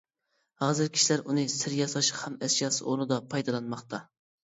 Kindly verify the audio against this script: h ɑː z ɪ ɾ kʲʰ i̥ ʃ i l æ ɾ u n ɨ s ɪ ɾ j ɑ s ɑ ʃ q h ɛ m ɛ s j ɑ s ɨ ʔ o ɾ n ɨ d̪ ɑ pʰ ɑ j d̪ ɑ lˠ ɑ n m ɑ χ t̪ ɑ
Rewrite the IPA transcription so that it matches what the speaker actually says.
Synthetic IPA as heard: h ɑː z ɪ ɾ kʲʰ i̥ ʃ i l æ ɾ u n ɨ s ɪ ɾ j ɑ s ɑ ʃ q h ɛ m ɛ s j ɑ s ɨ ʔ o ɾ n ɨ d̪ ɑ pʰ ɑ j d̪ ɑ lˠ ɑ n m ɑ χ t̪ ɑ